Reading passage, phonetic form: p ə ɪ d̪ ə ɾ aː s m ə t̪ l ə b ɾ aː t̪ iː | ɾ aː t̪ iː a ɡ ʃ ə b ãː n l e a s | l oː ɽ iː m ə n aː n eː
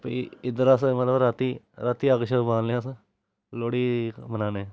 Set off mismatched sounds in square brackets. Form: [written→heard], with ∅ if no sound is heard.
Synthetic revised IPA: p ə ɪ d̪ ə ɾ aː s m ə t̪ l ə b ɾ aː t̪ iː | ɾ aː t̪ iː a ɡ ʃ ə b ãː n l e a s | l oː ɽ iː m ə n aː n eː